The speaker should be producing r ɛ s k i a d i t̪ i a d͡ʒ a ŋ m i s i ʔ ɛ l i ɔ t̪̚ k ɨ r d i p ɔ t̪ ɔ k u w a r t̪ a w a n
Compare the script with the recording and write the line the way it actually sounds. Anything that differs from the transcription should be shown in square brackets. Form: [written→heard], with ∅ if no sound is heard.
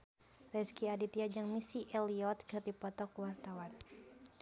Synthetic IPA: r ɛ s k i a d i t̪ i a d͡ʒ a ŋ m i s i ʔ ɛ l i ɔ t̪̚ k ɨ r d i p ɔ t̪ ɔ k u w a r t̪ a w a n